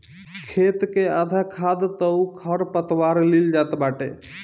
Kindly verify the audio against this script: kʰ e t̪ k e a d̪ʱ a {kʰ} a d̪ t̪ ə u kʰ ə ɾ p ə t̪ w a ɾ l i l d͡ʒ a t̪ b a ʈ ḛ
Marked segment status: correct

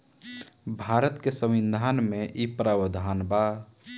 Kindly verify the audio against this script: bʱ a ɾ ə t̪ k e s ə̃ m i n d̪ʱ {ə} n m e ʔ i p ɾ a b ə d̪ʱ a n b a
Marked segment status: incorrect: a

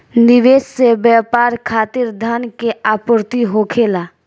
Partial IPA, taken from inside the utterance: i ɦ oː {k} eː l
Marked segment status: incorrect: kʰ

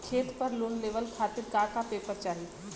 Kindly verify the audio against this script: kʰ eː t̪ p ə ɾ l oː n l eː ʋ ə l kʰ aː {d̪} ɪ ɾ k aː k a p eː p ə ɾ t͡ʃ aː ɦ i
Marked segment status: incorrect: t̪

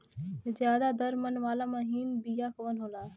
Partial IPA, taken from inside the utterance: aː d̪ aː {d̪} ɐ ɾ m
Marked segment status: correct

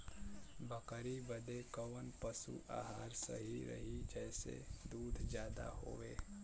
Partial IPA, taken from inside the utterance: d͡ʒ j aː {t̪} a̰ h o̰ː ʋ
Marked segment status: incorrect: d̪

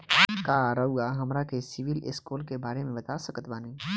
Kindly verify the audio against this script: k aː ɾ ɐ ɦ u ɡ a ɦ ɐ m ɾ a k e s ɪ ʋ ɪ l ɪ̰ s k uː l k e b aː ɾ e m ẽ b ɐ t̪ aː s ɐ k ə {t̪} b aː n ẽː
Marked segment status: correct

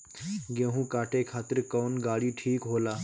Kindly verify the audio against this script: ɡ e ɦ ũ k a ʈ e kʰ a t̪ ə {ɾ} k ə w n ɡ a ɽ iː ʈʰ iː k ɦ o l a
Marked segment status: correct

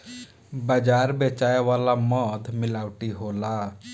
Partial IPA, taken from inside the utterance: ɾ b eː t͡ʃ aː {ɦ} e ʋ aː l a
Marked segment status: incorrect: none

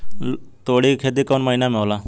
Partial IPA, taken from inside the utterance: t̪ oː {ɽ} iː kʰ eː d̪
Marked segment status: correct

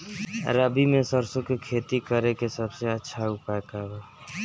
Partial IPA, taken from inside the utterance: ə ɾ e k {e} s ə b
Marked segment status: correct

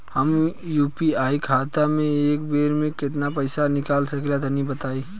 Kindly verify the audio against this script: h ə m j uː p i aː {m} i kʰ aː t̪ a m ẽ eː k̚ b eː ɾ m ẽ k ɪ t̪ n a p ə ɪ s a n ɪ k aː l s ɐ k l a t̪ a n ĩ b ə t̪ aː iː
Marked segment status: incorrect: none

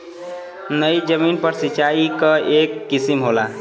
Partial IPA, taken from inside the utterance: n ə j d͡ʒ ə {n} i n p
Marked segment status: incorrect: m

